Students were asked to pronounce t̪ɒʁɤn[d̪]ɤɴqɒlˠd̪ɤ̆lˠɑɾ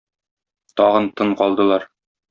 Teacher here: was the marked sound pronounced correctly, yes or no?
no